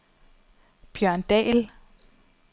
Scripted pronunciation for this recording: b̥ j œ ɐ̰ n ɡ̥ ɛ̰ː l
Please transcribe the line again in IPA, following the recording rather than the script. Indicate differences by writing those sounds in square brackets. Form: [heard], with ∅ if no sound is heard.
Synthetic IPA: b̥ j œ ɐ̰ n [d̥] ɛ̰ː l